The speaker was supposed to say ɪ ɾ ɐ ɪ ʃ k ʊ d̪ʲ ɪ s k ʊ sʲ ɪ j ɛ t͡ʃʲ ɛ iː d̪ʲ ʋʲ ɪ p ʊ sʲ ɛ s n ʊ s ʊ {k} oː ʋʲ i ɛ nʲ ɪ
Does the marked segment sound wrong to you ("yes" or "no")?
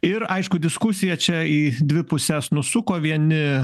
no